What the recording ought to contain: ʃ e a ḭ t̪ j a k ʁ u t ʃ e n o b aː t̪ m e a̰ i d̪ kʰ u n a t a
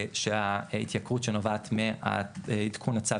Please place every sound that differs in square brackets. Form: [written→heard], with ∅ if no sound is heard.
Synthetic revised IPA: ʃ e a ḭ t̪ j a k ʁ u t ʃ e n o [b→v] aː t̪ m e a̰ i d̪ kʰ u n a [t→t͡s] a